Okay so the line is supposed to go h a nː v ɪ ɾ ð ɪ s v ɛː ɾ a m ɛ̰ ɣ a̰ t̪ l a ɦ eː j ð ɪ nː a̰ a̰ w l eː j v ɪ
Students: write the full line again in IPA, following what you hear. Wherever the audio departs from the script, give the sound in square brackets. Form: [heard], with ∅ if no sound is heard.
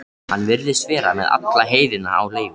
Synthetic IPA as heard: h a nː v ɪ ɾ ð ɪ s v ɛː ɾ a m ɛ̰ [ð] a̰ t̪ l a ɦ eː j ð ɪ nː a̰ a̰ w l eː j v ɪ